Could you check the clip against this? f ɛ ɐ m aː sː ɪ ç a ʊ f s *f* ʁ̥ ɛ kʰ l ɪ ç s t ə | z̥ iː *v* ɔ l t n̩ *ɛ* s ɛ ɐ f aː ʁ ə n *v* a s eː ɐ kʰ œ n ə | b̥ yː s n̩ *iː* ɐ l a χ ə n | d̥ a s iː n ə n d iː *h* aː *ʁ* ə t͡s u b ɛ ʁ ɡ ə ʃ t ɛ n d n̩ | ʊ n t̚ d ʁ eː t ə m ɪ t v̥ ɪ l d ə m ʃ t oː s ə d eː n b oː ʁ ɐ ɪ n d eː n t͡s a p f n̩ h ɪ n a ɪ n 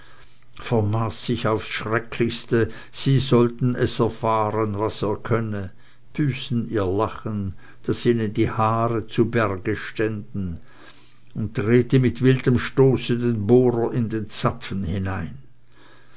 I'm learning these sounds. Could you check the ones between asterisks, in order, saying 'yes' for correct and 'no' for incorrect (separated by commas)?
no, no, yes, yes, yes, yes, yes